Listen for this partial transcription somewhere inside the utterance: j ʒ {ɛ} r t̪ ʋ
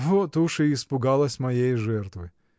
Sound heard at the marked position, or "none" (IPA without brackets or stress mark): ɛ